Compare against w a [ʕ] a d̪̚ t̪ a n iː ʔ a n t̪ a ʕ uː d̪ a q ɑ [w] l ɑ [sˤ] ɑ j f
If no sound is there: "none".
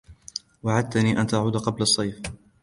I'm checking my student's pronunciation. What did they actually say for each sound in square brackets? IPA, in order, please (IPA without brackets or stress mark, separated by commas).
ʕ, b, sˤː